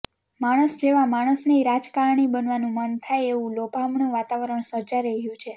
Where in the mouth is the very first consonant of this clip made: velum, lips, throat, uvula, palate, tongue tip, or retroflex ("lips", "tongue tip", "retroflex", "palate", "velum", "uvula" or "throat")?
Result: lips